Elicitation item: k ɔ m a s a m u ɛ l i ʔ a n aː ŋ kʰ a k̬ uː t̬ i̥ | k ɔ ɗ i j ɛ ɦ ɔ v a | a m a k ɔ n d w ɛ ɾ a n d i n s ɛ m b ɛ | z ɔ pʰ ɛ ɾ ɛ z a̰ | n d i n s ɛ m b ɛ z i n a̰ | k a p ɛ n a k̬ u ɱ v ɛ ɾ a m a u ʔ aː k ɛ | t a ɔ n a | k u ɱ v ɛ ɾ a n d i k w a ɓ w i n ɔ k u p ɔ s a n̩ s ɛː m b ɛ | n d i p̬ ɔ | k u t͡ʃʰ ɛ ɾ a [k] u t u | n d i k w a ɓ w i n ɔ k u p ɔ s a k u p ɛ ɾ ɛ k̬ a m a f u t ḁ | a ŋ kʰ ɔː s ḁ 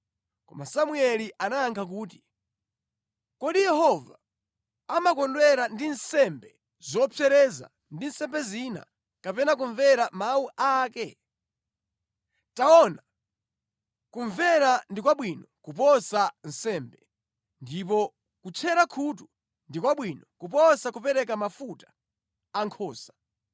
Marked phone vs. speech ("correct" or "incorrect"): incorrect